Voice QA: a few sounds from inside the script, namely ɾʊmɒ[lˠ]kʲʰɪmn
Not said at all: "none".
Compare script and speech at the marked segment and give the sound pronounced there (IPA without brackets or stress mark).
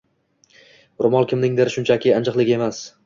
lˠ